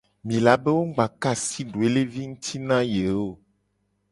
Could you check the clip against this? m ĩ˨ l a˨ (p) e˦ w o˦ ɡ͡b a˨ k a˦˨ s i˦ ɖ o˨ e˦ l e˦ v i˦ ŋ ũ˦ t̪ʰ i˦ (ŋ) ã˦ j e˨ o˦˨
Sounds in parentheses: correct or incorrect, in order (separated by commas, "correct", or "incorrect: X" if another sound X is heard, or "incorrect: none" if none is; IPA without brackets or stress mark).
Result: incorrect: b, incorrect: n